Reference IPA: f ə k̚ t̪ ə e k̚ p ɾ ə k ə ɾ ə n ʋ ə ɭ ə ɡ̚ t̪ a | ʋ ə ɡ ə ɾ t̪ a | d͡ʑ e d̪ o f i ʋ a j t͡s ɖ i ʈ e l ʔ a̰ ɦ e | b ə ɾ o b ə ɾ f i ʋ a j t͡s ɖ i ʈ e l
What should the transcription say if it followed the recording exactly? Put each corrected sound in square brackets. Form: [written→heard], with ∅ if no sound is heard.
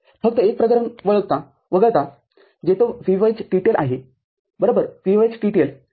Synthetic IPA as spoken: f ə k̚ t̪ ə e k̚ p ɾ ə k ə ɾ ə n ʋ ə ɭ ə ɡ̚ t̪ a | ʋ ə ɡ ə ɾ t̪ a | d͡ʑ e [d̪→t̪] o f i ʋ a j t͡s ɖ i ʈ e l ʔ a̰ ɦ e | b ə ɾ o b ə ɾ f i ʋ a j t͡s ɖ i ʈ e l